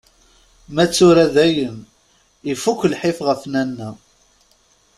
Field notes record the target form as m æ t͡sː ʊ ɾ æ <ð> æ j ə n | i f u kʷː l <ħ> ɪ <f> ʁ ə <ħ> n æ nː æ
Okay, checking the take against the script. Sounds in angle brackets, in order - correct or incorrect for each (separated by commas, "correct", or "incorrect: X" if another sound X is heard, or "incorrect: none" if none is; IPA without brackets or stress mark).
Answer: correct, correct, correct, incorrect: f